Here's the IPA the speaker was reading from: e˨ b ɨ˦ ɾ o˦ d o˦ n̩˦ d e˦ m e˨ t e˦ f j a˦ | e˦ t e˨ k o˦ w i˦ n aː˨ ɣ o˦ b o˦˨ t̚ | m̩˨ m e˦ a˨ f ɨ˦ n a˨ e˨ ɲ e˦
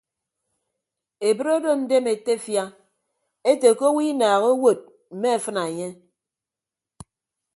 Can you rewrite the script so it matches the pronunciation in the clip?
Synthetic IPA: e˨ b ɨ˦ ɾ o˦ d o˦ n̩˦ d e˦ m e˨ t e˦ f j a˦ | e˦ t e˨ k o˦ w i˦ n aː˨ ɣ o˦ w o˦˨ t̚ | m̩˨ m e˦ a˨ f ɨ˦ n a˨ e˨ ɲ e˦